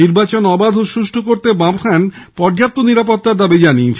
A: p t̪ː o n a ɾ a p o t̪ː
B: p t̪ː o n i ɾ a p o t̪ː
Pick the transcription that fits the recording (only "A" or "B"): B